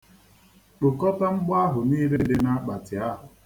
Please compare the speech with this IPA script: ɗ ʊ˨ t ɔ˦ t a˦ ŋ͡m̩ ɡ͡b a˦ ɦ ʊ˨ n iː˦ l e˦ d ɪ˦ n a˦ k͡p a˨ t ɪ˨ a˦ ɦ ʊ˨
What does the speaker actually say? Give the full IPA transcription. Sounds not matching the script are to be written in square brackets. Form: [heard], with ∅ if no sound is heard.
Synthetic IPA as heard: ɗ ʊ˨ [k] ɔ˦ t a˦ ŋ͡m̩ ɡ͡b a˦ ɦ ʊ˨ n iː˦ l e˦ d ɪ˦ n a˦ k͡p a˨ t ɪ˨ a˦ ɦ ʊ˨